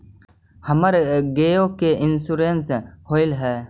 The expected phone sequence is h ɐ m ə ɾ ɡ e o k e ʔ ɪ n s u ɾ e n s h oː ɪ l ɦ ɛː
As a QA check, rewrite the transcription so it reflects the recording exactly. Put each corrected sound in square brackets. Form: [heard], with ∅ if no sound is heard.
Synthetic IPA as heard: h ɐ m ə ɾ ɡ e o k e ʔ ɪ n s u ɾ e n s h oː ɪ l ɦ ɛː